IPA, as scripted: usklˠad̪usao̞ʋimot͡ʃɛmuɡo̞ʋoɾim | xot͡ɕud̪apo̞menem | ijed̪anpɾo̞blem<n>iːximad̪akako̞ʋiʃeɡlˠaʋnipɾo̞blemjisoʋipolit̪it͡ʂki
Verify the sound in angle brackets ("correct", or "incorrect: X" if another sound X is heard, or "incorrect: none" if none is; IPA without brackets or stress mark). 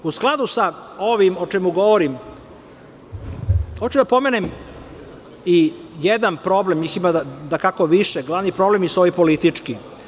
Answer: incorrect: ɲ